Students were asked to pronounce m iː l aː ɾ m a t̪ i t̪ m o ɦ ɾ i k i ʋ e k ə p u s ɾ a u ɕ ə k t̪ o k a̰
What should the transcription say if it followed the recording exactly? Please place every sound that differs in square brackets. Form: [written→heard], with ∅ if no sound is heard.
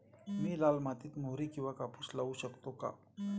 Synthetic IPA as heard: m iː l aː [ɾ→l] m a t̪ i t̪ m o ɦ ɾ i k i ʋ [e→a] k [ə→a] p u s [ɾ→l] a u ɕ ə k t̪ o k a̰